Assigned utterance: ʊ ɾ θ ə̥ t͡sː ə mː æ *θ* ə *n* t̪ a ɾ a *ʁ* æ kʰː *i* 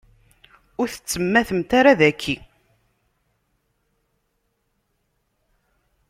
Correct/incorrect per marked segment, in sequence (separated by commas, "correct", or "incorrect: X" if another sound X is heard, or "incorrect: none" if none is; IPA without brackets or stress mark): correct, incorrect: m, incorrect: ð, correct